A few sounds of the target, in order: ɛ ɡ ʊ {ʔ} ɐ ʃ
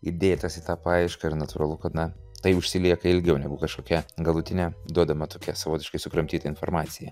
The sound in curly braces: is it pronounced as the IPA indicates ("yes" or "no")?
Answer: no